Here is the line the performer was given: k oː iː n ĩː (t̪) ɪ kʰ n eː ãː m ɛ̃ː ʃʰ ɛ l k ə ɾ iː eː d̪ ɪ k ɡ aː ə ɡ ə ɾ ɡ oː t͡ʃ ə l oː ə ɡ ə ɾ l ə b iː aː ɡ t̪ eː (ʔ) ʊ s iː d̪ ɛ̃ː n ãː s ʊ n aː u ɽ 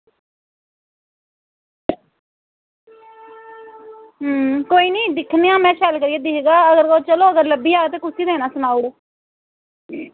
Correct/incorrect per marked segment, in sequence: incorrect: d̪, incorrect: k

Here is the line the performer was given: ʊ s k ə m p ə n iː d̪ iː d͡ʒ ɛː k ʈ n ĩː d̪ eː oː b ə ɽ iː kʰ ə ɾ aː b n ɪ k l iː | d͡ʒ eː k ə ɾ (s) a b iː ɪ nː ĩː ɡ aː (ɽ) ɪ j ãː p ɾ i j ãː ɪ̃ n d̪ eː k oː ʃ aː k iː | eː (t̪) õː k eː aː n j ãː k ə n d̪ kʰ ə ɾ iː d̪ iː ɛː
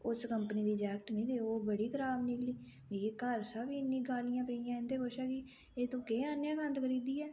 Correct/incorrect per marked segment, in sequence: correct, incorrect: l, correct

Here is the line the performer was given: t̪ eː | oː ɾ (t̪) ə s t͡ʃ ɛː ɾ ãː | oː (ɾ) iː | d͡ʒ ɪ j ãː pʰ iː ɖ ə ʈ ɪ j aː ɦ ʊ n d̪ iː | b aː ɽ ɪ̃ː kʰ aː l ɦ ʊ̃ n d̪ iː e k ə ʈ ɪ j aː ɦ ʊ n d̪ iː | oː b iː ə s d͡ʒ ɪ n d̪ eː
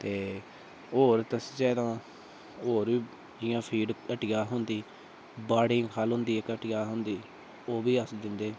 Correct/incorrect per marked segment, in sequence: correct, correct

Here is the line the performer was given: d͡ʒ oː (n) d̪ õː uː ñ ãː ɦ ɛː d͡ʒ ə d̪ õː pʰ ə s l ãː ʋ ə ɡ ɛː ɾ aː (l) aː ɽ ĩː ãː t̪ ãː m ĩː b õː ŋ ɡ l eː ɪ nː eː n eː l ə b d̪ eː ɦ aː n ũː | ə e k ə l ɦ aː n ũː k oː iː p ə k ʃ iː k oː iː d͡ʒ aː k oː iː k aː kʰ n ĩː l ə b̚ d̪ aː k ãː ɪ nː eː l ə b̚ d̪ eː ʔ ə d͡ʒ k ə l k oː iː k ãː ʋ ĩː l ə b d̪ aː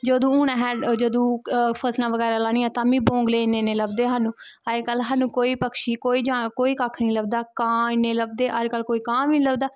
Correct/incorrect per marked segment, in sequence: incorrect: none, correct

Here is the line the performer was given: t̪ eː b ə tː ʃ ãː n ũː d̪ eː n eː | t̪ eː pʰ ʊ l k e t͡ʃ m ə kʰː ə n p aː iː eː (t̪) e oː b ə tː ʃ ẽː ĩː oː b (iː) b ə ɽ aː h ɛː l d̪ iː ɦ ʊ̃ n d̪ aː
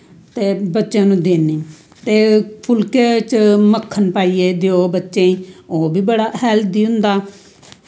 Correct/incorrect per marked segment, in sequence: incorrect: d̪, correct

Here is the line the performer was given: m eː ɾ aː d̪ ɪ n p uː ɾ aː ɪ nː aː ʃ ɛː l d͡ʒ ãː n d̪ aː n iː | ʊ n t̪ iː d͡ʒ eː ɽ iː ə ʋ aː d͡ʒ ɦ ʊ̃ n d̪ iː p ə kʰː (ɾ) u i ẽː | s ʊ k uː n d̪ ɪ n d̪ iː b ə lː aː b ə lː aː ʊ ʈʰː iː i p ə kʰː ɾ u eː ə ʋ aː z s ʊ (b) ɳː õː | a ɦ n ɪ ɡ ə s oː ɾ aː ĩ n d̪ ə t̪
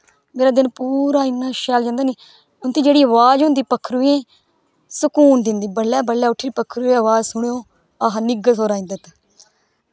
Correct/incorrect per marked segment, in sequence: correct, incorrect: none

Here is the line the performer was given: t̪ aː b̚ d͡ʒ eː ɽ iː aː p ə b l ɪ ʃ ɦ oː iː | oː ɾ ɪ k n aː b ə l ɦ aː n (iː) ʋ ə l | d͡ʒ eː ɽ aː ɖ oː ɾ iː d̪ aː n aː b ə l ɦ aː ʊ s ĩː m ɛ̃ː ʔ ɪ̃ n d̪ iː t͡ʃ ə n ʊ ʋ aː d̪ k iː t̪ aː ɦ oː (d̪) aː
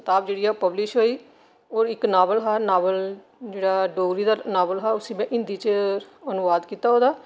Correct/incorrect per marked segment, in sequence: incorrect: aː, correct

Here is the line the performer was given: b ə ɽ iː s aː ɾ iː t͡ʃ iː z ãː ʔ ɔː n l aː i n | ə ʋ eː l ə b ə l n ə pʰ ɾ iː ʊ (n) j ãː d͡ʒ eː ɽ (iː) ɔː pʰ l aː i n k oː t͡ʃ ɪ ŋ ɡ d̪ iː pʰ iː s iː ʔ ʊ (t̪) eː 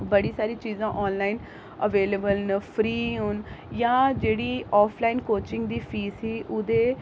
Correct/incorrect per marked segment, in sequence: correct, correct, incorrect: d̪

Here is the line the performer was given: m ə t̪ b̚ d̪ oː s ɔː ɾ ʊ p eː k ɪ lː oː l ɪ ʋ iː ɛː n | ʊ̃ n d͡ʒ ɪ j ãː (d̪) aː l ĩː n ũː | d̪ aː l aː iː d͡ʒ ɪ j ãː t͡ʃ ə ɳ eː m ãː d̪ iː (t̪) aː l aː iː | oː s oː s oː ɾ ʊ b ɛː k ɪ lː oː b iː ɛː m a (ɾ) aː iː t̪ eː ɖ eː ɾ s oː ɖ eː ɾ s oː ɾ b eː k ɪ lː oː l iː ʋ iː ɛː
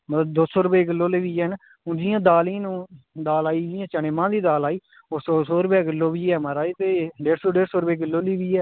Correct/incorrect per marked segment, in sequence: correct, incorrect: d̪, correct

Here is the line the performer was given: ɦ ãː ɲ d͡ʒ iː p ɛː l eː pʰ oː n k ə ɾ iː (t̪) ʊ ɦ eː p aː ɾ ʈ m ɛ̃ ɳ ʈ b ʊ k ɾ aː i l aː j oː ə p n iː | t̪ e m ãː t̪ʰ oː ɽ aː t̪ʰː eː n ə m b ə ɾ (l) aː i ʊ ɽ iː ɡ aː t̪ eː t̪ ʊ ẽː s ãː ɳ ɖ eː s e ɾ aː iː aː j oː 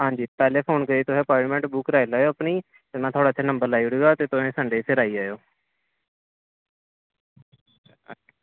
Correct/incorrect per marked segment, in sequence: correct, correct

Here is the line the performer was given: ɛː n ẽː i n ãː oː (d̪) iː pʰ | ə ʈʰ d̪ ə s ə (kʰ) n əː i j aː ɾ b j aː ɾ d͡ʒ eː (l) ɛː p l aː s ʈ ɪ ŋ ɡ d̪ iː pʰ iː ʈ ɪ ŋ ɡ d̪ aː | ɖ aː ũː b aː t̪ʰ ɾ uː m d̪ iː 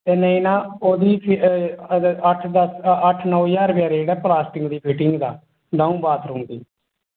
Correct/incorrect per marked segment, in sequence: correct, incorrect: ʈʰ, incorrect: ɽ

